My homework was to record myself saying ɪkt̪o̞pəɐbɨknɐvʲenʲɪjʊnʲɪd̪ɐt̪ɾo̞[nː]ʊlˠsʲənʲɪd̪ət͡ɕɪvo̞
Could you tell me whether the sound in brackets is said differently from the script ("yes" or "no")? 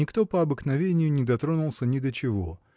yes